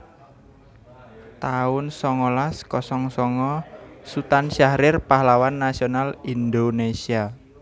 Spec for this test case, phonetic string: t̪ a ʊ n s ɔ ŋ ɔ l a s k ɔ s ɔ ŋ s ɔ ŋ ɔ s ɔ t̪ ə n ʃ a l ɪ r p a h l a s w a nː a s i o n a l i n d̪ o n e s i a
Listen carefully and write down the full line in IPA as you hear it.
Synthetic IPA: t̪ a ʊ n s ɔ ŋ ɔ l a s k ɔ s ɔ ŋ s ɔ ŋ ɔ s u t̪ a n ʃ a ɾ ɪ r p a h l a w a nː a s i o n a l i n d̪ o n e s i a